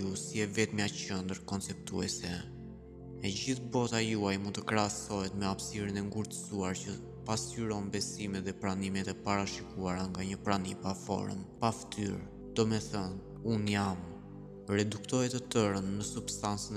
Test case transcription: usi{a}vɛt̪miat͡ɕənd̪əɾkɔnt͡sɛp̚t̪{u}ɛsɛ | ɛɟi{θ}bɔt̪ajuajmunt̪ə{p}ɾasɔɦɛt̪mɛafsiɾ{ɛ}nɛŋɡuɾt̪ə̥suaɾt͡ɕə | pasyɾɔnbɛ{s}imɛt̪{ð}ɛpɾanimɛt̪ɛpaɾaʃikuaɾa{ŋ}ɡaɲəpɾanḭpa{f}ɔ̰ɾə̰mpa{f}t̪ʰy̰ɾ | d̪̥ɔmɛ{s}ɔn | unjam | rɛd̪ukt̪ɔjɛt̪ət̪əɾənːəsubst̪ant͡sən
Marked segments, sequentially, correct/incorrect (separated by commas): incorrect, correct, correct, incorrect, incorrect, correct, correct, correct, correct, correct, incorrect